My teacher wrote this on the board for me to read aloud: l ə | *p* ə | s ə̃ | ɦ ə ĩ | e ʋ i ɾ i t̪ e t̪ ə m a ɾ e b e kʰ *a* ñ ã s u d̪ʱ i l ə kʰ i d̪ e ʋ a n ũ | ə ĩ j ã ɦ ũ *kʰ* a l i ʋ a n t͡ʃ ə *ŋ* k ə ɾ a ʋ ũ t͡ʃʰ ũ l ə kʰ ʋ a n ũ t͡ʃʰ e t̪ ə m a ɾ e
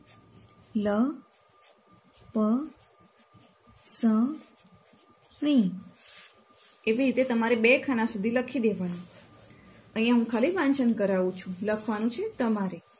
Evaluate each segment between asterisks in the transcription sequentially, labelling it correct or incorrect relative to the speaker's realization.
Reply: correct, correct, correct, incorrect

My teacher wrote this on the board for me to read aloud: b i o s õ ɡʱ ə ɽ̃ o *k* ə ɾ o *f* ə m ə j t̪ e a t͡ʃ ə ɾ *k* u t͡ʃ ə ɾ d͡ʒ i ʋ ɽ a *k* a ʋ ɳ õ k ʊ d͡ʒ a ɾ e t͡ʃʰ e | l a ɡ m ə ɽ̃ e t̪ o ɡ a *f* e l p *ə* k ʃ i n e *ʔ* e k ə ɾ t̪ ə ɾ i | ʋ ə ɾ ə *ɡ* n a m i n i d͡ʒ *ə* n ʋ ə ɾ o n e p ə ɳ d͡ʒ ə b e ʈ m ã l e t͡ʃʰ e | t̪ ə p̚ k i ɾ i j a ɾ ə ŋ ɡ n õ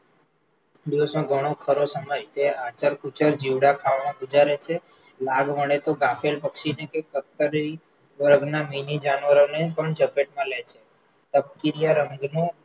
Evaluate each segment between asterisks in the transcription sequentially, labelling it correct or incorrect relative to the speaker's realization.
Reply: incorrect, incorrect, correct, incorrect, correct, correct, incorrect, correct, incorrect

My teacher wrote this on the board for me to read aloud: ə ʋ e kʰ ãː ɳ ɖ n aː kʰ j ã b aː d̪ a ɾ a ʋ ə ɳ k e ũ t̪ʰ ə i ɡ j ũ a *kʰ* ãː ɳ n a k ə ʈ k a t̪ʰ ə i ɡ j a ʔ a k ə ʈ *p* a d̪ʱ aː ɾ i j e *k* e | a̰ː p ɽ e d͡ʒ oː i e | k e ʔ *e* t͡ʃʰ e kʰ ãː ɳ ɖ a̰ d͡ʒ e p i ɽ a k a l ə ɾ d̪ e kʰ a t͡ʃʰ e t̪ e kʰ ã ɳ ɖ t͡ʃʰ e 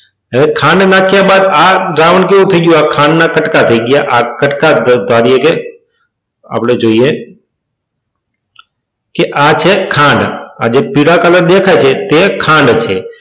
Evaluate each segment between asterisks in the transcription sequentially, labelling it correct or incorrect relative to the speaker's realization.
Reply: correct, incorrect, correct, incorrect

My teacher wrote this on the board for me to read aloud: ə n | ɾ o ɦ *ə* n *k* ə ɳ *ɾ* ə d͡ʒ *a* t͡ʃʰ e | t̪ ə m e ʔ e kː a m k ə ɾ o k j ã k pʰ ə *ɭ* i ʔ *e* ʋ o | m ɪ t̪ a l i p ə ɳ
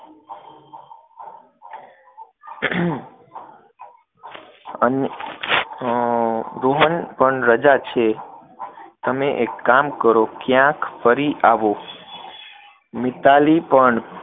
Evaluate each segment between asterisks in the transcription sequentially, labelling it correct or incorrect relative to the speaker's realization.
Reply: correct, incorrect, correct, correct, incorrect, incorrect

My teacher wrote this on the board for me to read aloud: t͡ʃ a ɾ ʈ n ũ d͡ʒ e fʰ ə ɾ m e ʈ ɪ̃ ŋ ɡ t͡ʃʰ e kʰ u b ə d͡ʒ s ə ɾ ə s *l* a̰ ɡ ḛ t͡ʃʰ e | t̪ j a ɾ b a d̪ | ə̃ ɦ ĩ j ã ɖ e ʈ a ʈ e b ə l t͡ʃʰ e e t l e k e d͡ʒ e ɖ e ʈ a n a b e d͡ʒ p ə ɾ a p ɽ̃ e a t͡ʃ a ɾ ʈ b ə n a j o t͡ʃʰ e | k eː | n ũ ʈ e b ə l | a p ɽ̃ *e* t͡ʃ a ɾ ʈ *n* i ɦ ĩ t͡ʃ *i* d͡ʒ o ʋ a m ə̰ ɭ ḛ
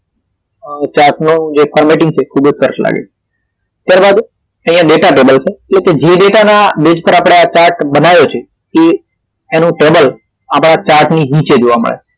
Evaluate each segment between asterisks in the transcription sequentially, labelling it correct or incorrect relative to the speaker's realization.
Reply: correct, incorrect, correct, incorrect

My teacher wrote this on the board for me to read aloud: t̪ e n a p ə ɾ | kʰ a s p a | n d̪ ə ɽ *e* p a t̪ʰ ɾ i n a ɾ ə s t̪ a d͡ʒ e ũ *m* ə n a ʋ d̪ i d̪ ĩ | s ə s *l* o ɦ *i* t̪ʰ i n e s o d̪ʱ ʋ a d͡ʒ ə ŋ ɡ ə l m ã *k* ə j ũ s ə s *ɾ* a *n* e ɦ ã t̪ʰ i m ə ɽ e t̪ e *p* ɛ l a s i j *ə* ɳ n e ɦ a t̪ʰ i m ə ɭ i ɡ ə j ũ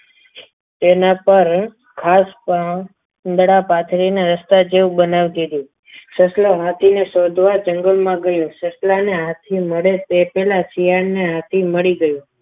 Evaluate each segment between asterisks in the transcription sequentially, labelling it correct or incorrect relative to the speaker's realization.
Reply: incorrect, incorrect, correct, incorrect, incorrect, incorrect, correct, correct, incorrect

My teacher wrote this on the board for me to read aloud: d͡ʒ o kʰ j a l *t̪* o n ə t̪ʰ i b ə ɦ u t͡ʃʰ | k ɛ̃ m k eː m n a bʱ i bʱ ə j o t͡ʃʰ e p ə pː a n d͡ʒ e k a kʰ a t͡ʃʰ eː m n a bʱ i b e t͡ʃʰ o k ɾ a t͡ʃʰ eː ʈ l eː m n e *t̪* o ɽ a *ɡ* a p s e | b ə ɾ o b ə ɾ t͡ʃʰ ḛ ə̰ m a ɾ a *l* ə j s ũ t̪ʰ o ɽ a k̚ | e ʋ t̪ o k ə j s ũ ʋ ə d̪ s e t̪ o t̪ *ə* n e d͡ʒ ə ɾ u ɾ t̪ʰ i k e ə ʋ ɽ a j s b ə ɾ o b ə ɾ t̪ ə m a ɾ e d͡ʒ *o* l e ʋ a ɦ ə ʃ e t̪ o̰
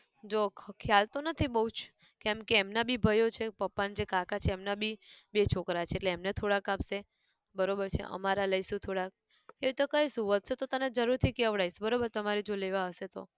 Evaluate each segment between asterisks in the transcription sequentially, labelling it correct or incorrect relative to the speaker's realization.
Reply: correct, incorrect, incorrect, correct, correct, correct

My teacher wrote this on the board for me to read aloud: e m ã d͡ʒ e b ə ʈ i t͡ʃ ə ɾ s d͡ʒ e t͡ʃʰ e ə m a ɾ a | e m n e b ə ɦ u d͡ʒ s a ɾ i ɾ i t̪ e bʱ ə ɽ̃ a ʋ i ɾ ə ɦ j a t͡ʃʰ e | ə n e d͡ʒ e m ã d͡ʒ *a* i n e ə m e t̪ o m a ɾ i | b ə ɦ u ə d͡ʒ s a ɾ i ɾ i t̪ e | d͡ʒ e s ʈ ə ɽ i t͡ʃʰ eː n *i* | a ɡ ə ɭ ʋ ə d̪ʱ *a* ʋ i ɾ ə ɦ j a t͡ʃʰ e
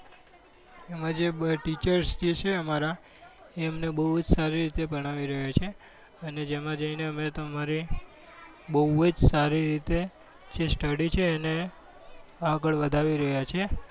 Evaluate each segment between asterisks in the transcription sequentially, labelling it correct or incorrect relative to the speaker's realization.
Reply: incorrect, incorrect, correct

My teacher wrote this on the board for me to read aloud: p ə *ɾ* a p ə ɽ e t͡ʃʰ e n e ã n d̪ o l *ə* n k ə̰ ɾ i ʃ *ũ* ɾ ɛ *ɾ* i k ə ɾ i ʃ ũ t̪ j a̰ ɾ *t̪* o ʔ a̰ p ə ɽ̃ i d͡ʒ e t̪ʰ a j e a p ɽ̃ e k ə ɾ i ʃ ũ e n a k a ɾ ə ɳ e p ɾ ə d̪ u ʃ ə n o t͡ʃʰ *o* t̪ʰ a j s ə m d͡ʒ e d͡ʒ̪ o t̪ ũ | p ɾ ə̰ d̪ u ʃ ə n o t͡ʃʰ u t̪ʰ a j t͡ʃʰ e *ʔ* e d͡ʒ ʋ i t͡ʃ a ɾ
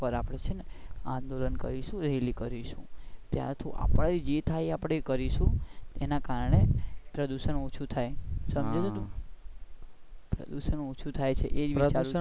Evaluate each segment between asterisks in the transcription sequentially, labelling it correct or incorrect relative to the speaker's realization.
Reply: correct, correct, correct, incorrect, incorrect, incorrect, correct

